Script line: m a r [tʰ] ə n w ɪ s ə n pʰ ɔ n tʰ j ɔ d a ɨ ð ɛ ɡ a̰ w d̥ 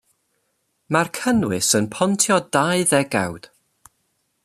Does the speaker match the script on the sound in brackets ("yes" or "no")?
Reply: no